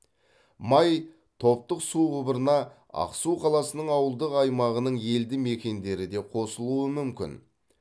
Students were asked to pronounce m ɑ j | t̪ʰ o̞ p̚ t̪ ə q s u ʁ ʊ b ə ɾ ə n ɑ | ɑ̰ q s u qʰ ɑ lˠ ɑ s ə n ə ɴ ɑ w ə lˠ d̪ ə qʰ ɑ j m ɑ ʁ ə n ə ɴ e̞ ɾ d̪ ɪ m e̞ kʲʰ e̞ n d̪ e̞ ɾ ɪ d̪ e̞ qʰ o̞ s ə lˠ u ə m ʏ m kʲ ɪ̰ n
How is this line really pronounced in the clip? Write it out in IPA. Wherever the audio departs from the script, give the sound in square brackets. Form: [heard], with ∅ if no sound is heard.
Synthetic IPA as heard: m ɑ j | t̪ʰ o̞ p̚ t̪ ə q s u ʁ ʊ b ə ɾ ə n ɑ | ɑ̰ q s u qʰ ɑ lˠ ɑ s ə n ə ɴ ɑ w ə lˠ d̪ ə [q] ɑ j m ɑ ʁ ə n ə ɴ e̞ [l] d̪ ɪ m e̞ [kʲ] e̞ n d̪ e̞ ɾ ɪ d̪ e̞ qʰ o̞ s ə lˠ u ə m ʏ m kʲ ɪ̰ n